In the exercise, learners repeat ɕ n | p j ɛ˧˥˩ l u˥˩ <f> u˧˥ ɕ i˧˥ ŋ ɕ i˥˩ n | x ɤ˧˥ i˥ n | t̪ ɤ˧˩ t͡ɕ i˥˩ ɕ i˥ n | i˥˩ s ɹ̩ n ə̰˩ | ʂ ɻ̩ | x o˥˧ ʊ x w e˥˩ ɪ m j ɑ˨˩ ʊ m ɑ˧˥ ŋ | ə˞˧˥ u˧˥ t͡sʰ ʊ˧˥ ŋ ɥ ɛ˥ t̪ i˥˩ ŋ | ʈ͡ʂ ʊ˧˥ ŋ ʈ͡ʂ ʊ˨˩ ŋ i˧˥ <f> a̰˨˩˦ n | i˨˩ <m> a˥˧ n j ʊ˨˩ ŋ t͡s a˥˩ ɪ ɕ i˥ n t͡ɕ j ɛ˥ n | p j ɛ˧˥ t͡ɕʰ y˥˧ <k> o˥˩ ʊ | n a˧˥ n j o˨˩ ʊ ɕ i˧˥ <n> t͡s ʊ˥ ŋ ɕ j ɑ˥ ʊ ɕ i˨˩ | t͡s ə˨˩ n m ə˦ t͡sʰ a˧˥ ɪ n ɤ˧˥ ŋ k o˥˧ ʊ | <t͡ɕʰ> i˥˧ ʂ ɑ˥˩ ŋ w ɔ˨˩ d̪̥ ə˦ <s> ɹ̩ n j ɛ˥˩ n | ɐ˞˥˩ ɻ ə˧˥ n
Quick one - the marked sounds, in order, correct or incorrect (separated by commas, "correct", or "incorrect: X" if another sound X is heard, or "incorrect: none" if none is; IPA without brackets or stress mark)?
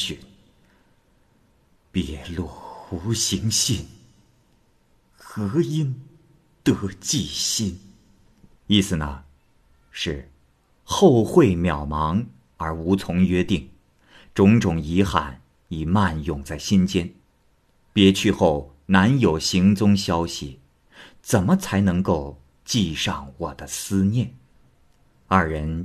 incorrect: x, incorrect: x, correct, incorrect: x, incorrect: ŋ, incorrect: t͡ɕ, correct